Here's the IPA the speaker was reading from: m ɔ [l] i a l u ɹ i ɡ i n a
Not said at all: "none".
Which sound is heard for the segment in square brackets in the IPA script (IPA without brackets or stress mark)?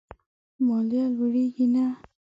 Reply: l